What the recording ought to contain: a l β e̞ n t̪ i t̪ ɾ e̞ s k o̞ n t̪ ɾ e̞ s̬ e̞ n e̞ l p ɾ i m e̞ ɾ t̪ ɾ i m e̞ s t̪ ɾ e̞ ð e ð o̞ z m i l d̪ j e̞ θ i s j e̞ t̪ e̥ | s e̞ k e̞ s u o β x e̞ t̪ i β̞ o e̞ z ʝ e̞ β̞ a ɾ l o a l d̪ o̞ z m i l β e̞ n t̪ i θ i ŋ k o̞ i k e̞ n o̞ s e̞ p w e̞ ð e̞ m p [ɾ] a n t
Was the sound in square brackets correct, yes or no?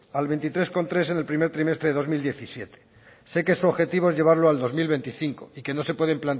no